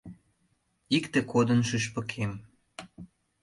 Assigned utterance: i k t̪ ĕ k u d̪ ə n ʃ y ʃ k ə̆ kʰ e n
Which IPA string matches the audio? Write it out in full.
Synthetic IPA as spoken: i k t̪ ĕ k o d̪ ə n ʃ y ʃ p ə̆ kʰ e m